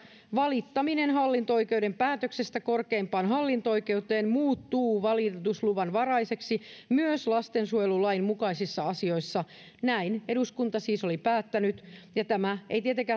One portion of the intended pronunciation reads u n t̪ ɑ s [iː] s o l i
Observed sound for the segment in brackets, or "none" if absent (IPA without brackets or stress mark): iː